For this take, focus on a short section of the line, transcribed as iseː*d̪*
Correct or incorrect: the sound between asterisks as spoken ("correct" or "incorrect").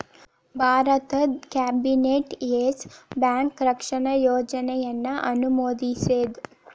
correct